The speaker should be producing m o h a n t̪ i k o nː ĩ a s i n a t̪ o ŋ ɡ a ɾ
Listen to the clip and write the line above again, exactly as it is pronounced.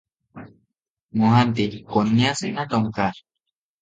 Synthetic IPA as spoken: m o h a n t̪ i k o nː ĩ a s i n a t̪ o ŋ k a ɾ

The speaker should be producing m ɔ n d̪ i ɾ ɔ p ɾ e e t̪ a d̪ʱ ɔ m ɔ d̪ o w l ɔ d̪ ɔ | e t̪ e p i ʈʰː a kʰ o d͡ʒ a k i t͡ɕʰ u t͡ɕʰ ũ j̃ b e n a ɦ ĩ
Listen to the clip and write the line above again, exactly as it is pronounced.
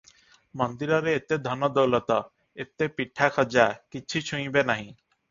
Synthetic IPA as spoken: m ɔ n d̪ i ɾ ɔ ɾ e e t̪ e d̪ʱ ɔ n ɔ d̪ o w l ɔ t̪ ɔ | e t̪ e p i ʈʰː a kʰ ɔ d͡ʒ a k i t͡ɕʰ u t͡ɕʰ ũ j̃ b e n a ɦ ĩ

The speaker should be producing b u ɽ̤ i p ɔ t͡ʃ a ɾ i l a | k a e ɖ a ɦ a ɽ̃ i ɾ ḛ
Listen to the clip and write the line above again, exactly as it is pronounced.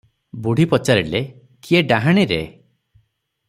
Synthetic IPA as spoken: b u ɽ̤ i p ɔ t͡ʃ a ɾ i l e | k i e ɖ a ɦ a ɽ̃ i ɾ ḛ

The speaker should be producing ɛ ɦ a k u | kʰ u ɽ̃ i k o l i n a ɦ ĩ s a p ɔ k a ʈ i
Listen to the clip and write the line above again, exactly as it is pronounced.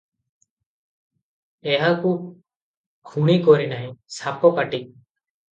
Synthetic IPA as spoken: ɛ ɦ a k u | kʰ u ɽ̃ i k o ɾ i n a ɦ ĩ s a p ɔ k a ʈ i

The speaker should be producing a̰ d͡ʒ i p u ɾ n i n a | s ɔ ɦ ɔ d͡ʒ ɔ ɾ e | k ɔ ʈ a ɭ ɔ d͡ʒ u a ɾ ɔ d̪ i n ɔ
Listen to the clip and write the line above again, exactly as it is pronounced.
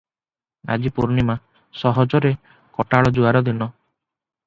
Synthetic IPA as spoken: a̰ d͡ʒ i p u ɾ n i m a | s ɔ ɦ ɔ d͡ʒ ɔ ɾ e | k ɔ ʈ a ɭ ɔ d͡ʒ u a ɾ ɔ d̪ i n ɔ

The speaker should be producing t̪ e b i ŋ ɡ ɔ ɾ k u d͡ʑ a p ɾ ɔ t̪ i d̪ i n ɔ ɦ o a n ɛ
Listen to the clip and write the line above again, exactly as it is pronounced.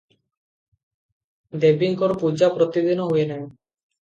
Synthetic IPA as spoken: d̪ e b i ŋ k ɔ ɾ p u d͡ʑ a p ɾ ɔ t̪ i d̪ i n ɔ ɦ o e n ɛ

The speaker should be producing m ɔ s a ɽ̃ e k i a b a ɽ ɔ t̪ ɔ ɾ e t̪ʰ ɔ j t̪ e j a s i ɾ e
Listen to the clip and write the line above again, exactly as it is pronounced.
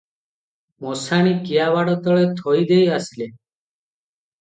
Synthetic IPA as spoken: m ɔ s a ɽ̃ i k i a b a ɽ ɔ t̪ ɔ ɭ e t̪ʰ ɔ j d̪ e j a s i l e

